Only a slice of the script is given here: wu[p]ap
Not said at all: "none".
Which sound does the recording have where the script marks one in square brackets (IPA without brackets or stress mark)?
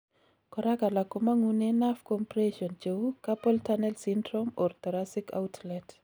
k